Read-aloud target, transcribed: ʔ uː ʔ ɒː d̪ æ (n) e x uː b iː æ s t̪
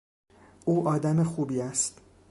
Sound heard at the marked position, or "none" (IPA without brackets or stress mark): m